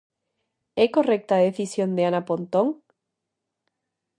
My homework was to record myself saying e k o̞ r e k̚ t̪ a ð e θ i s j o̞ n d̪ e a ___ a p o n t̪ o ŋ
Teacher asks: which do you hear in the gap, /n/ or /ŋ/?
n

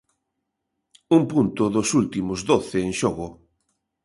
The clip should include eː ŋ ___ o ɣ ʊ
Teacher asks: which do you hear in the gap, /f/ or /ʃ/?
ʃ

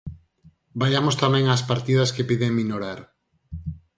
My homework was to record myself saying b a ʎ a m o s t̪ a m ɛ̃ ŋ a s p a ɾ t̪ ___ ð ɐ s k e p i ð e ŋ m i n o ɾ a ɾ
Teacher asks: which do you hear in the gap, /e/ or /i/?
i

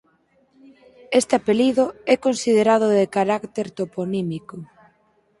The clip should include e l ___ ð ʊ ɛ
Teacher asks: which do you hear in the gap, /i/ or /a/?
i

